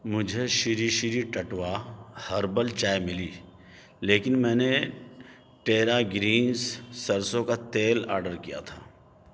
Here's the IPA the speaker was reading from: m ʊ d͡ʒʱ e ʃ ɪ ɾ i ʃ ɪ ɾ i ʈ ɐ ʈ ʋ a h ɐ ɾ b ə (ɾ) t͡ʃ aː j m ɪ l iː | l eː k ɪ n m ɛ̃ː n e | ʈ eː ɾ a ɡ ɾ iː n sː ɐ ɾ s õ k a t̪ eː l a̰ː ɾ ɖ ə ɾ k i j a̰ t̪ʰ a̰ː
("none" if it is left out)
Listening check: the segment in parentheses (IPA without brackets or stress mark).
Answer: l